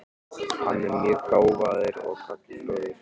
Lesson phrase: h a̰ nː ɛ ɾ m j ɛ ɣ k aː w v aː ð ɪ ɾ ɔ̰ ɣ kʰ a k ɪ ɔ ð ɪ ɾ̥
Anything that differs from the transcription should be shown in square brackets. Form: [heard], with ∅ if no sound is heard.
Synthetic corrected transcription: h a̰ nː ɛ ɾ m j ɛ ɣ k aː w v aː ð ɪ ɾ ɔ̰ ɣ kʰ a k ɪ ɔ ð ɪ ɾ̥